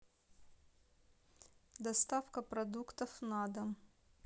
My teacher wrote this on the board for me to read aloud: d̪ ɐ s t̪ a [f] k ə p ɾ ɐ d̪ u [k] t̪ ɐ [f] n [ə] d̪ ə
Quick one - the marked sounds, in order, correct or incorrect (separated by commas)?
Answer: correct, correct, correct, incorrect